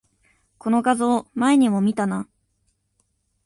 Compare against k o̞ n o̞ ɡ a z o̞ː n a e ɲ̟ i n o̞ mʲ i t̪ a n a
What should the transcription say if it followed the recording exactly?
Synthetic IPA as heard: k o̞ n o̞ ɡ a z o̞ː m a e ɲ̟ i m o̞ mʲ i t̪ a n a